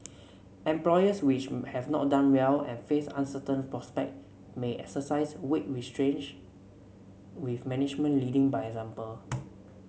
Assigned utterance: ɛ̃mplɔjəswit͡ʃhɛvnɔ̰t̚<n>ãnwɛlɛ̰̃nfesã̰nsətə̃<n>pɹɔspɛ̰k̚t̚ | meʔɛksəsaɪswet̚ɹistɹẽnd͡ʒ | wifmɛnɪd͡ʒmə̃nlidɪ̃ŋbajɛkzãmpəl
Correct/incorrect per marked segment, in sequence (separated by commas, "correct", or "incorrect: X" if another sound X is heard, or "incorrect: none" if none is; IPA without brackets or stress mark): incorrect: d, correct